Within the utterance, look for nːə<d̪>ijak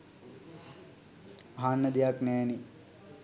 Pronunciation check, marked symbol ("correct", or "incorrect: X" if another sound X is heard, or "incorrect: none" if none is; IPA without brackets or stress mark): correct